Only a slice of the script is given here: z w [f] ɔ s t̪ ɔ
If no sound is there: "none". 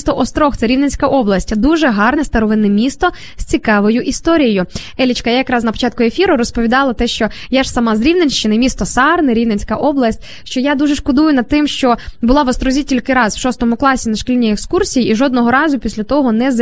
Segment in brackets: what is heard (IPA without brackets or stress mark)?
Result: ʃ